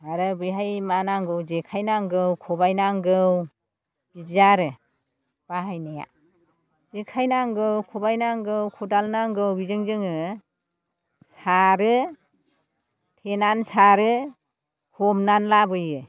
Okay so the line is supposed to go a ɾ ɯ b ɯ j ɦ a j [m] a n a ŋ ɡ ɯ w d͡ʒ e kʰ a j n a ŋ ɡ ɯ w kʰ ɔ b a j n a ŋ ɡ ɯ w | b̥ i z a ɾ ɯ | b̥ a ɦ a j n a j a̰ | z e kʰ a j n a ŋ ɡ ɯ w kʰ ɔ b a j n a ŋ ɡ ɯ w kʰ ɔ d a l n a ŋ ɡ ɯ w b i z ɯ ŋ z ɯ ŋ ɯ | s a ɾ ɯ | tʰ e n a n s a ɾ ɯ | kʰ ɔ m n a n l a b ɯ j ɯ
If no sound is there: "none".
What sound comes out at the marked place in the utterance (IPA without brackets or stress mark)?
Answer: m